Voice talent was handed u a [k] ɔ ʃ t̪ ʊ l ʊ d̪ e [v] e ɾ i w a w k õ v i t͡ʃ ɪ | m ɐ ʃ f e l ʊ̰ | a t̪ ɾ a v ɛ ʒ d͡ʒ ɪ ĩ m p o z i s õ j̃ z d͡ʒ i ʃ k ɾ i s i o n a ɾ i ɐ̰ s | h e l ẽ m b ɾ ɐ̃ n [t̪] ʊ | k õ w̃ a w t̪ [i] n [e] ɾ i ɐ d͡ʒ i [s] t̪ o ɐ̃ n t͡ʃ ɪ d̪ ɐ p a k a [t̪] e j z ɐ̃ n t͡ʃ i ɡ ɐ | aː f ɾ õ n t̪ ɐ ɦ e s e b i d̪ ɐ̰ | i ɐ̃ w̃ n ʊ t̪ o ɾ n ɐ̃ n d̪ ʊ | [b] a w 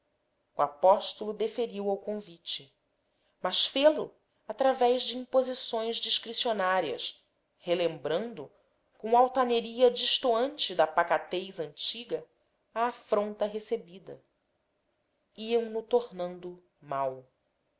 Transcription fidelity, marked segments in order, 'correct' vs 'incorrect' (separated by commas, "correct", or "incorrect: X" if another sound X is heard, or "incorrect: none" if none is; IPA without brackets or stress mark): incorrect: p, incorrect: f, incorrect: d̪, incorrect: a, correct, incorrect: ʃ, correct, incorrect: m